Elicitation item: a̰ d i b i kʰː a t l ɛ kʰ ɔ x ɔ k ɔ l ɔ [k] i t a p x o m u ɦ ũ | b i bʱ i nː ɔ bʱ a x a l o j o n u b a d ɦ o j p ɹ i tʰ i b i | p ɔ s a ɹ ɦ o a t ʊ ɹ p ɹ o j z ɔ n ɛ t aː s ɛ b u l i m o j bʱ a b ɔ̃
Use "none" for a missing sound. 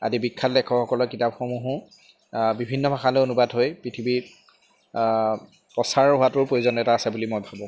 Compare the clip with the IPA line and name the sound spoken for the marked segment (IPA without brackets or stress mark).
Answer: k